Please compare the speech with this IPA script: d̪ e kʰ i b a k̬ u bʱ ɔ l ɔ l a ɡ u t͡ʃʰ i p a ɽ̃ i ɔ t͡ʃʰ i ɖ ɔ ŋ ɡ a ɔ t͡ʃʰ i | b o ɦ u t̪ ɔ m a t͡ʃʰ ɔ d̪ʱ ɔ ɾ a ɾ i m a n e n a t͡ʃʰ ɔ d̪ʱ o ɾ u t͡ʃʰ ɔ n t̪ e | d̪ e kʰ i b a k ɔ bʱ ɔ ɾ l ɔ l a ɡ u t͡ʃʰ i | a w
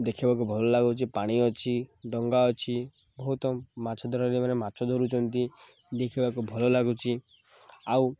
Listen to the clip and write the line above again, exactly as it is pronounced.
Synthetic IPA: d̪ e kʰ i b a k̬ u bʱ ɔ l ɔ l a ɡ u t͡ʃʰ i p a ɽ̃ i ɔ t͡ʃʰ i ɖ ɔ ŋ ɡ a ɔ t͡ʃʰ i | b ɔ ɦ u t̪ ɔ m a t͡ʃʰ ɔ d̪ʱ ɔ ɾ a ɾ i m a n e m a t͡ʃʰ ɔ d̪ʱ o ɾ u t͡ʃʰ ɔ n t̪ i | d̪ e kʰ i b a k u bʱ ɔ l ɔ l a ɡ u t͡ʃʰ i | a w